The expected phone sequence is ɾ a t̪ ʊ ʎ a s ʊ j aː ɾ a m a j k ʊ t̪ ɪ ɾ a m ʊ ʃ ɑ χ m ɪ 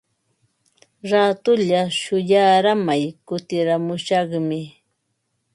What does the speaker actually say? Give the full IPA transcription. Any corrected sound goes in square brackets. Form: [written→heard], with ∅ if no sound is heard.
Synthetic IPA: ɾ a t̪ ʊ ʎ a [s→ʃ] ʊ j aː ɾ a m a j k ʊ t̪ ɪ ɾ a m ʊ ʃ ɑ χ m ɪ